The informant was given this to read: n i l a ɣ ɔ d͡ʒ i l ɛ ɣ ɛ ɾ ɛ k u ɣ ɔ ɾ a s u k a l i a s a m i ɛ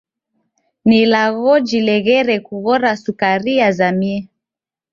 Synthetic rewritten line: n i l a ɣ ɔ d͡ʒ i l ɛ ɣ ɛ ɾ ɛ k u ɣ ɔ ɾ a s u k a ɾ i a z a m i ɛ